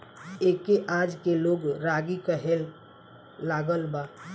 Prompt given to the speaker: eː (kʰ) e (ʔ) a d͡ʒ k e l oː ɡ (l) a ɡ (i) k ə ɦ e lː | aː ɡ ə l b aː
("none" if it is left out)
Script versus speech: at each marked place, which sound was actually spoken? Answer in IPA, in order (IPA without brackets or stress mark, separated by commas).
k, ʔ, ɾ, i